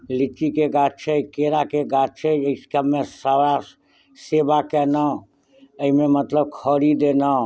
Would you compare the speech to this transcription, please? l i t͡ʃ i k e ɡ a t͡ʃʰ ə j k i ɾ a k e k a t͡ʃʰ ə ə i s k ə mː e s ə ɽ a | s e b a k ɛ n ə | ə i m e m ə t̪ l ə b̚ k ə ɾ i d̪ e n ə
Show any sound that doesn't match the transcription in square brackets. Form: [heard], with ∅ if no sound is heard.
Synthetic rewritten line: l i t͡ʃ i k e ɡ a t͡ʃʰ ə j k [e] ɾ a k e [ɡ] a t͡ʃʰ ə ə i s k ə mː e s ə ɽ a | s e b a k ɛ n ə | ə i m e m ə t̪ l ə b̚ [kʰ] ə ɾ i d̪ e n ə

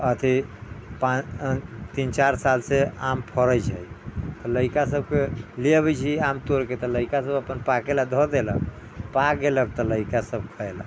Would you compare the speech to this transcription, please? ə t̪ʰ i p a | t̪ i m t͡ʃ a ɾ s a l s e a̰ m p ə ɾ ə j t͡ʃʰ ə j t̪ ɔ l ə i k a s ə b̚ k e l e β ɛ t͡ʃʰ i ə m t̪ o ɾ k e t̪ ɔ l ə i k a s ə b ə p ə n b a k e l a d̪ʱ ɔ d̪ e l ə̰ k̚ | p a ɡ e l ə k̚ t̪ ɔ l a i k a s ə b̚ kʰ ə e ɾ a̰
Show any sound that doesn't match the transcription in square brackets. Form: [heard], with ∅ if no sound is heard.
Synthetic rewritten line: ə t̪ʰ i p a | t̪ i [n] t͡ʃ a ɾ s a l s e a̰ m [pʰ] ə ɾ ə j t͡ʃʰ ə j t̪ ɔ l ə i k a s ə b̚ k e l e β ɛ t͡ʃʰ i [a] m t̪ o ɾ k e t̪ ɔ l ə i k a s ə b ə p ə n [p] a k e l a d̪ʱ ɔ d̪ e l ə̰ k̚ | p a ɡ e l ə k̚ t̪ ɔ l [ə] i k a s ə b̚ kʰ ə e [l] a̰

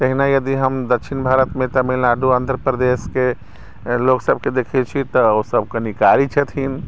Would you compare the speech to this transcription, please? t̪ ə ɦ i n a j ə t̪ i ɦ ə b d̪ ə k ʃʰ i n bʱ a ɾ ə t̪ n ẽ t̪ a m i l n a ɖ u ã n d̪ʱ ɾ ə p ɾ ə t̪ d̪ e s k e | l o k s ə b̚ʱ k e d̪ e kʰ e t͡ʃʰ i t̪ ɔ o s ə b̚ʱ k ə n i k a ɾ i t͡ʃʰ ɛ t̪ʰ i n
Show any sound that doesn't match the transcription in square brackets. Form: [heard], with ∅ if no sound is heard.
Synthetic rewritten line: t̪ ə ɦ i n a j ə [d̪] i ɦ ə [m] d̪ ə k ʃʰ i n bʱ a ɾ ə t̪ [m] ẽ t̪ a m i l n a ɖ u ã n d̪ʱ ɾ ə p ɾ ə [∅] d̪ e s k e | l o k s ə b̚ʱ k e d̪ e kʰ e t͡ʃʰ i t̪ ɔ o s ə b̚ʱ k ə n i k a ɾ i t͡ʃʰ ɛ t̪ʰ i n

